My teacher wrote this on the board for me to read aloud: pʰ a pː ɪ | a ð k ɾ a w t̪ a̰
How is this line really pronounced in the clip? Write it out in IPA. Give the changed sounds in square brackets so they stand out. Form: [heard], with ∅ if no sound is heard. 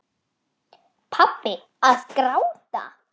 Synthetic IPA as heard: pʰ a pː ɪ | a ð k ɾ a w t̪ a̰

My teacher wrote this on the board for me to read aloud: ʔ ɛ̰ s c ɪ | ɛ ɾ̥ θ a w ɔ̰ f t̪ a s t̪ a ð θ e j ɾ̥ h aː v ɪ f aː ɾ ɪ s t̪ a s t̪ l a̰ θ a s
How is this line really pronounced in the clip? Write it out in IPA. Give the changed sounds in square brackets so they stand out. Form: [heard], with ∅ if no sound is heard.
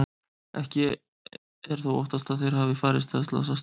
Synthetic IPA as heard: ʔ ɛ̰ [h] c ɪ | ɛ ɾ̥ θ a w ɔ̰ [h] t̪ a s t̪ a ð θ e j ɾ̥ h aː v ɪ f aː ɾ ɪ s t̪ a s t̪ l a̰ [s] a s

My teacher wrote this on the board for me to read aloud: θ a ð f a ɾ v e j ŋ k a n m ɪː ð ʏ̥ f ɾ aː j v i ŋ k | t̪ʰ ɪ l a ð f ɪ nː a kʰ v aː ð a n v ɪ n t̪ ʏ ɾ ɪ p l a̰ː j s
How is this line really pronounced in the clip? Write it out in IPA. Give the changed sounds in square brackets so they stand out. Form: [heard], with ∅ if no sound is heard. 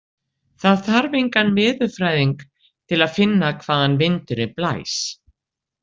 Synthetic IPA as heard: θ a ð [θ] a ɾ v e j ŋ k a n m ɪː ð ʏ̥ f ɾ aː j [ð] i ŋ k | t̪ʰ ɪ l a ð f ɪ nː a kʰ v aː ð a n v ɪ n t̪ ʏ ɾ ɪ p l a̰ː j s

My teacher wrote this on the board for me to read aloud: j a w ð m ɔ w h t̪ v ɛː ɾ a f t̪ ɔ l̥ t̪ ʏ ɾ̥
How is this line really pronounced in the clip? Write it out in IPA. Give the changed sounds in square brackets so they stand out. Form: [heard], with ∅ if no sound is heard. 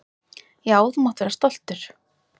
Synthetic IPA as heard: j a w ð m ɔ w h t̪ v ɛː ɾ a [s] t̪ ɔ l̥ t̪ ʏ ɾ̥

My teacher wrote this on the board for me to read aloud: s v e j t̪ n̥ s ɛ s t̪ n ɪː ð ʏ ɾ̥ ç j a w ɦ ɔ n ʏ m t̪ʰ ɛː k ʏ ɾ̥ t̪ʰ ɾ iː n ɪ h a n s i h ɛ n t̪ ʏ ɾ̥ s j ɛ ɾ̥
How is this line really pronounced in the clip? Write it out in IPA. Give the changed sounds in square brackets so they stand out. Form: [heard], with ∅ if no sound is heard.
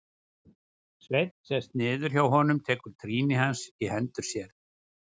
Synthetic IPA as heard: s v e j t̪ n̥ s ɛ s t̪ n ɪː ð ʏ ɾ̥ ç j a w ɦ ɔ n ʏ m t̪ʰ ɛː k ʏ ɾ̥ t̪ʰ ɾ iː n ɪ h a n s i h ɛ n t̪ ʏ ɾ̥ s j ɛ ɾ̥

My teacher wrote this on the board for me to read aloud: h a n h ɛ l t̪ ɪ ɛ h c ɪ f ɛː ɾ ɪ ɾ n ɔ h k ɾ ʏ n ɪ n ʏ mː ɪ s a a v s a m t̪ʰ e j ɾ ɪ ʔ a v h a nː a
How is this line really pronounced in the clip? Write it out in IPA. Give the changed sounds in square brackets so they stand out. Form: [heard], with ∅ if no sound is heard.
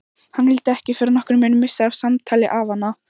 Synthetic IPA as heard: h a n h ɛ l t̪ ɪ ɛ h c ɪ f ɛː ɾ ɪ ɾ n ɔ h k ɾ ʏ [m] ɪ n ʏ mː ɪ s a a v s a m t̪ʰ [a] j [l] ɪ ʔ a v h a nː a

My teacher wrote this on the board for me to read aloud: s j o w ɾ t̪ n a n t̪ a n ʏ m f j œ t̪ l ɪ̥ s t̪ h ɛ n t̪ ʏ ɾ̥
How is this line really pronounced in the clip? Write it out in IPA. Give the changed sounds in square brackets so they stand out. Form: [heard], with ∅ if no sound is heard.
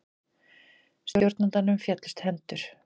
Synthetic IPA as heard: s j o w ɾ t̪ n a n t̪ a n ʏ m f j [ɛ] t̪ l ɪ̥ s t̪ h ɛ n t̪ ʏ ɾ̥

